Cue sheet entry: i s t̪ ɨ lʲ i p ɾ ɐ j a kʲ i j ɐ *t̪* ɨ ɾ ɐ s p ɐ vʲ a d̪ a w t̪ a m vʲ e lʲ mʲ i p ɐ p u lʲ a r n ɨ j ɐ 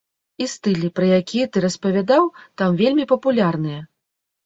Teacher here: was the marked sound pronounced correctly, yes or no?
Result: yes